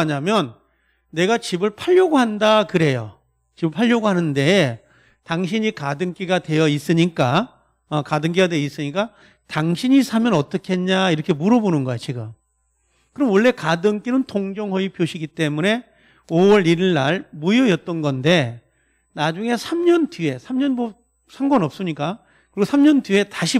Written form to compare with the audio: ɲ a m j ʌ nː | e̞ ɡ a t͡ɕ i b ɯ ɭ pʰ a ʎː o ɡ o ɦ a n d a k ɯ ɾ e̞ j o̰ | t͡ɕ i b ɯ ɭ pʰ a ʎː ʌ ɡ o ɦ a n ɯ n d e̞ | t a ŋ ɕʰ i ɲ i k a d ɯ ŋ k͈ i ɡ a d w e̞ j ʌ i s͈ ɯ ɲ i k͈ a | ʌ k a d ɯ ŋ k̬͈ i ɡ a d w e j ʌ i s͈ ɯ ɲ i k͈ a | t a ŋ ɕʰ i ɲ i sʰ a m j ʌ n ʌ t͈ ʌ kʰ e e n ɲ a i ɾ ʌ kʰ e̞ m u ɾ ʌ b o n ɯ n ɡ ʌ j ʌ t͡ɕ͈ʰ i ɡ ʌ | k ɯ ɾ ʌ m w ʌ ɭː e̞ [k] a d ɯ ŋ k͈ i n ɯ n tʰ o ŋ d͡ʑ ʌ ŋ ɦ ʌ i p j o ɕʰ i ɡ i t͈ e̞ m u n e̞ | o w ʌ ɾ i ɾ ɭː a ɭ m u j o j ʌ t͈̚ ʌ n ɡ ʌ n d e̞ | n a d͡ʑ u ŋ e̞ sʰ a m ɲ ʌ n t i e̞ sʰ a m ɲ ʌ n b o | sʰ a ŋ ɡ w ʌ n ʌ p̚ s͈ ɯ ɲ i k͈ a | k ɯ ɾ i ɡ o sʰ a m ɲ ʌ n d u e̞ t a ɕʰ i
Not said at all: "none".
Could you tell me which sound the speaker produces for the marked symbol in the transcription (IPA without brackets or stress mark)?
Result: k